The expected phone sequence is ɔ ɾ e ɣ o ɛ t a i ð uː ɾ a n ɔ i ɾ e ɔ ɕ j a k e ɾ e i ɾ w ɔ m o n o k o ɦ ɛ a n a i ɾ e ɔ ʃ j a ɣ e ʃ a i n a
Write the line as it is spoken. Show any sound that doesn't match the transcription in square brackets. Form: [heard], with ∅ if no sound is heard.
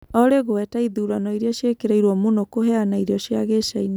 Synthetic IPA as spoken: ɔ ɾ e ɣ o ɛ t a i ð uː ɾ a n ɔ i ɾ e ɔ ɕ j [e] k e ɾ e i ɾ w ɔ m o n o k o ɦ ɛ a n a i ɾ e ɔ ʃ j a ɣ e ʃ a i n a